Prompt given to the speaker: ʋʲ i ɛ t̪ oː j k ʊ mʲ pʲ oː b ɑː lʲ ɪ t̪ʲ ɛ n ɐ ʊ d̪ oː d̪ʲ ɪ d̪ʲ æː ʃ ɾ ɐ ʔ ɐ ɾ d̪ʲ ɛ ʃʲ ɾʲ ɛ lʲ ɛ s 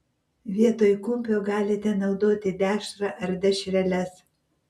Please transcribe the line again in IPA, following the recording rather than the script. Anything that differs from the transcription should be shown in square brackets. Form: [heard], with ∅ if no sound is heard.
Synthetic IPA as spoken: ʋʲ i ɛ t̪ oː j k ʊ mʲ pʲ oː [ɡ] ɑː lʲ ɪ t̪ʲ ɛ n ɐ ʊ d̪ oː [t̪ʲ] ɪ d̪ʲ æː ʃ ɾ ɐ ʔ ɐ ɾ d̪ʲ ɛ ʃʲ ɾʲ ɛ lʲ ɛ s